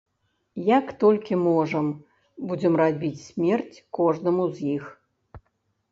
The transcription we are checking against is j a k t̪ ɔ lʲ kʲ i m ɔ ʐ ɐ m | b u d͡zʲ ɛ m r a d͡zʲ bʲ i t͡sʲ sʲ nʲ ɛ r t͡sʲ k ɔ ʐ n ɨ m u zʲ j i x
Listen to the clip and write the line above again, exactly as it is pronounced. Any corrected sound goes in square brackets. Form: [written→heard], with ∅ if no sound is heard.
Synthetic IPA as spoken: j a k t̪ ɔ lʲ kʲ i m ɔ ʐ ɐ m | b u d͡zʲ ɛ m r a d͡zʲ bʲ i t͡sʲ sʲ [nʲ→mʲ] ɛ r t͡sʲ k ɔ ʐ n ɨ m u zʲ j i x